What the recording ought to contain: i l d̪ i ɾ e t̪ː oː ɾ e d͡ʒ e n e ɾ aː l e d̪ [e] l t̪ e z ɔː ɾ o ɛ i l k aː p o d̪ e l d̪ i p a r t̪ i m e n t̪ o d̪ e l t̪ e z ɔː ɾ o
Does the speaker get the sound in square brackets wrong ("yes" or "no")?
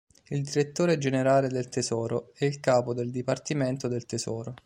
no